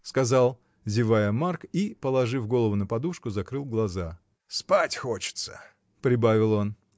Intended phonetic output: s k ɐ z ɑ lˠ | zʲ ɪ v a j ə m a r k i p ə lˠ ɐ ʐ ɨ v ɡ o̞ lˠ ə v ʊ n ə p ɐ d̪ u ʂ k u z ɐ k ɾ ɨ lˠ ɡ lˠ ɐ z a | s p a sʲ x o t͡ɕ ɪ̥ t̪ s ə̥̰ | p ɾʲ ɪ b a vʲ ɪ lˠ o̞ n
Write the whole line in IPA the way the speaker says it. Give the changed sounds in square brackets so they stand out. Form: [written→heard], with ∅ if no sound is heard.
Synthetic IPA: s k ɐ z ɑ lˠ | zʲ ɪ v a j ə m a r k i p ə lˠ ɐ ʐ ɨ v ɡ o̞ lˠ ə v ʊ n ə p ɐ d̪ u ʂ k [u→ʊ] z ɐ k ɾ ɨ lˠ ɡ lˠ ɐ z a | s p a [sʲ→tʲ] x o t͡ɕ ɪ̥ t̪ s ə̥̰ | p ɾʲ ɪ b a vʲ ɪ lˠ o̞ n